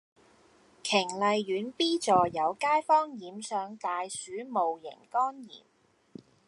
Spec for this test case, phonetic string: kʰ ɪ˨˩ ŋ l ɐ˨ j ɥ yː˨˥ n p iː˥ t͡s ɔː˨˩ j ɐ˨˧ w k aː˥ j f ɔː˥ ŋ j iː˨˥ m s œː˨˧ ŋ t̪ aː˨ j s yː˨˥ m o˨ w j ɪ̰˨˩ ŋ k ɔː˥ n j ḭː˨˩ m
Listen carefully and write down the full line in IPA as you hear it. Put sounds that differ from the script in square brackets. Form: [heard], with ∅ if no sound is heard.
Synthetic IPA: kʰ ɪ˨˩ ŋ l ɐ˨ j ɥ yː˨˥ n p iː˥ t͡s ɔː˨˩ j ɐ˨˧ w k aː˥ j f ɔː˥ ŋ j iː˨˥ m s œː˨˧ ŋ t̪ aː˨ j s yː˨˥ m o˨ w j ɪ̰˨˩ ŋ k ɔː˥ n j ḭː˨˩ m